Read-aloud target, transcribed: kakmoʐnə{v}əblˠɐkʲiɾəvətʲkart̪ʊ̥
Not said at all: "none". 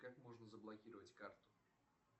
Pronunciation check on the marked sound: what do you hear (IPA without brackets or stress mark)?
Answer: z